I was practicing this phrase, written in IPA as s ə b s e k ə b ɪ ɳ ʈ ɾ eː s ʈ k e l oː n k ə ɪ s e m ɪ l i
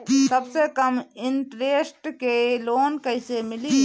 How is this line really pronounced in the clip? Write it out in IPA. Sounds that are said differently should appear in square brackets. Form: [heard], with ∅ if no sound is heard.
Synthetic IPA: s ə b s e k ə [m] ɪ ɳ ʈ ɾ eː s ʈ k e l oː n k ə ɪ s e m ɪ l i